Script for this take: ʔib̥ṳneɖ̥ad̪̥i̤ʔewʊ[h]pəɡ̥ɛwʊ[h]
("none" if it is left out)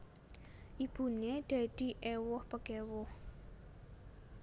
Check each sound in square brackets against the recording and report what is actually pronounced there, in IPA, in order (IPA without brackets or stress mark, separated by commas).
h, h